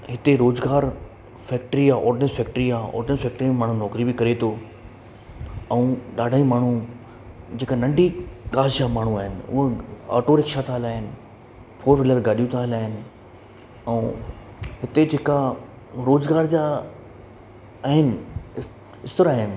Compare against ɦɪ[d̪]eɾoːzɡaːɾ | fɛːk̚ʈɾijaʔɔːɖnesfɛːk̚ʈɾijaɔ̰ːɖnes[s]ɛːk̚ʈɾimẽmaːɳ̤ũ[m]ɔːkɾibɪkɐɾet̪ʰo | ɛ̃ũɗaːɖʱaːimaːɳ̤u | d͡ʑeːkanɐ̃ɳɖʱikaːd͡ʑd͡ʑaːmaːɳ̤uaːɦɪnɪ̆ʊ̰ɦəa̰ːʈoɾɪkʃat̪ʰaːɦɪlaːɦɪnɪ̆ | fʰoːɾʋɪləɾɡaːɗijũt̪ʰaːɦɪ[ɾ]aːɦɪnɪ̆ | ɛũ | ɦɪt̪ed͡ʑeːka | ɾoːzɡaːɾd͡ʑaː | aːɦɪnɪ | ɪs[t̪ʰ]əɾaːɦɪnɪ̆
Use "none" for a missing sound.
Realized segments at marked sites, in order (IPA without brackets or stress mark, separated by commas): t̪, f, n, l, t̪